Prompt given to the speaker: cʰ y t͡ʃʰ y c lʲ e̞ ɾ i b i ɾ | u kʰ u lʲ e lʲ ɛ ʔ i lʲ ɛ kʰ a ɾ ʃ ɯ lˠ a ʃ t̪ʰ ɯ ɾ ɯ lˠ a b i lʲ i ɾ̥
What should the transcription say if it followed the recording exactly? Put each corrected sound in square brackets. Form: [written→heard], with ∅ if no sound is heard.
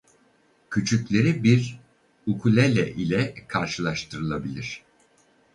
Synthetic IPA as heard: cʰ y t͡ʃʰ y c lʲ e̞ ɾ i b i ɾ | u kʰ u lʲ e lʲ ɛ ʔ i lʲ ɛ kʰ a ɾ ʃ ɯ lˠ a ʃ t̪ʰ ɯ ɾ ɯ lˠ a b i lʲ i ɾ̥